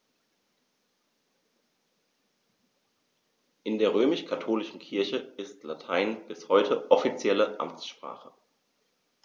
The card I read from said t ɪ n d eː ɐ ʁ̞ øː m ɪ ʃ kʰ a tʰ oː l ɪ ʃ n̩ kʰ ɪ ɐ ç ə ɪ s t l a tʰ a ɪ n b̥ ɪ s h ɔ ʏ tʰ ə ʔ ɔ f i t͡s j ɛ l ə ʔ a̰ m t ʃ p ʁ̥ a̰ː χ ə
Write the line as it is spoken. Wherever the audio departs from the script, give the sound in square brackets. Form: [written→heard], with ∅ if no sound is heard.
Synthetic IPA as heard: [t→ʔ] ɪ n d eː ɐ ʁ̞ øː m ɪ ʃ kʰ a tʰ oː l ɪ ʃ n̩ kʰ ɪ ɐ ç ə ɪ s t l a tʰ a ɪ n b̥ ɪ s h ɔ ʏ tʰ ə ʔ ɔ f i t͡s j ɛ l ə ʔ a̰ m [t→t͡s] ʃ p ʁ̥ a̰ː χ ə